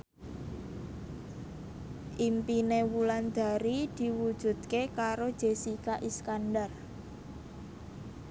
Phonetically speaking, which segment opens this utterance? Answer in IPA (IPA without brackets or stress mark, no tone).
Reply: ʔ